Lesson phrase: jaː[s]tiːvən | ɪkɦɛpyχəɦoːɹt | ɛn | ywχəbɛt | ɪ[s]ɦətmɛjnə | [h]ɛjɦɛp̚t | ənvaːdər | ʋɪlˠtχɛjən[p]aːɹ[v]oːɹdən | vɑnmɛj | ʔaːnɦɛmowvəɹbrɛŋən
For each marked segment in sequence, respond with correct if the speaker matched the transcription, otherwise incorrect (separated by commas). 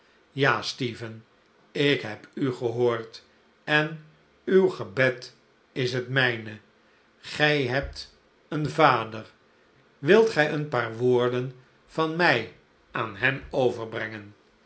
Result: correct, correct, incorrect, correct, incorrect